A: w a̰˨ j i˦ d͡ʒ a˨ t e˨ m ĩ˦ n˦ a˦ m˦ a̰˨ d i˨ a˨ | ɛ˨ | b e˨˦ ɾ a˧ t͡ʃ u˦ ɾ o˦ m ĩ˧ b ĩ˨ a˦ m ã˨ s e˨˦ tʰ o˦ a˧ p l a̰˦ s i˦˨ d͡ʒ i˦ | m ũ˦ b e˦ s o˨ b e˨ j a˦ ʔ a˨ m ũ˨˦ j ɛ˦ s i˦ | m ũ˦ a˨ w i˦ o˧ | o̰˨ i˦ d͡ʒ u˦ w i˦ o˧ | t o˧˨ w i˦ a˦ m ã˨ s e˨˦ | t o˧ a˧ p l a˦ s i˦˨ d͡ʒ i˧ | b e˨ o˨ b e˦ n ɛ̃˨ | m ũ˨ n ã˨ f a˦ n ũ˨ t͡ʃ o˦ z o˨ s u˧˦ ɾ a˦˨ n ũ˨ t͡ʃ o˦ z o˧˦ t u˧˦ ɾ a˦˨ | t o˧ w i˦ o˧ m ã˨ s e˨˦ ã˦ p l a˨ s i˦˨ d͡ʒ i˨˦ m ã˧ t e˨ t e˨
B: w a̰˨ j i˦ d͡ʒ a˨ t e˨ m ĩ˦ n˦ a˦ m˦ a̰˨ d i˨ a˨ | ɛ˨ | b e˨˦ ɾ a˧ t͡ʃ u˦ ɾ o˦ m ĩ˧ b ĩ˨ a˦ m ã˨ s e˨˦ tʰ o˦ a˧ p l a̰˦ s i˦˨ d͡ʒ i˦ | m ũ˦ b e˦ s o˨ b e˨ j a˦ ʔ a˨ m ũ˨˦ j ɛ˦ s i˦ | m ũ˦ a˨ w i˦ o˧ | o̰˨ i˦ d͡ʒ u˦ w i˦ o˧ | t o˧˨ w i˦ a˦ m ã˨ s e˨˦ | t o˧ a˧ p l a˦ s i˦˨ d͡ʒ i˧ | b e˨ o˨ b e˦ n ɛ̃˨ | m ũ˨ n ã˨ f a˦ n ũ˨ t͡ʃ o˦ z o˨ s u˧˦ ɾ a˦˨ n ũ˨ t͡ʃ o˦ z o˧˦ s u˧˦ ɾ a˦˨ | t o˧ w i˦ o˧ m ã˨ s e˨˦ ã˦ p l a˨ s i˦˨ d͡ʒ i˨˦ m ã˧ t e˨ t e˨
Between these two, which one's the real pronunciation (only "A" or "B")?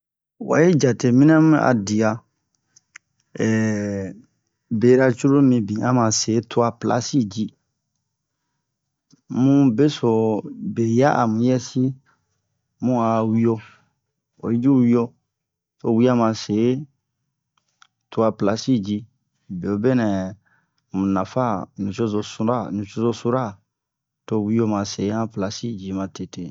B